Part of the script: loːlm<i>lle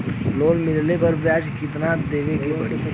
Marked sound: incorrect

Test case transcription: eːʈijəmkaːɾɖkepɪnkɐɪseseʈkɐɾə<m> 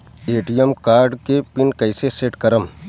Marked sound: correct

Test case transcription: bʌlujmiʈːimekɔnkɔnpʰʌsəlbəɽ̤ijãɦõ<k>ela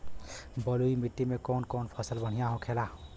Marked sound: incorrect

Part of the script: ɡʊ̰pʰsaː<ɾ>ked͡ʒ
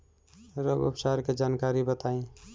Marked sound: correct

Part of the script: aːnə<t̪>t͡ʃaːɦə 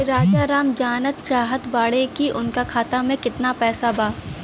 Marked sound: correct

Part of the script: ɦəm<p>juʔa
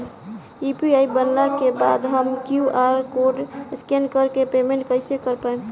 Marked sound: incorrect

